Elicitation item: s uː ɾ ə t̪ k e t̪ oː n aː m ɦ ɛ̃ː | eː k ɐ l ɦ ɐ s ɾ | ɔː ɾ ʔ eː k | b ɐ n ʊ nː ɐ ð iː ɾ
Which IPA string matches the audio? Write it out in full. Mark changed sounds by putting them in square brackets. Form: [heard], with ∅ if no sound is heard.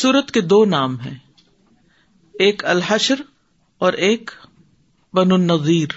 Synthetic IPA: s uː ɾ ə t̪ k e [d̪] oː n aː m ɦ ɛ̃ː | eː k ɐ l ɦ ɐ [ʃ] ɾ | ɔː ɾ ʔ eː k | b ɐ n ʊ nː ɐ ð iː ɾ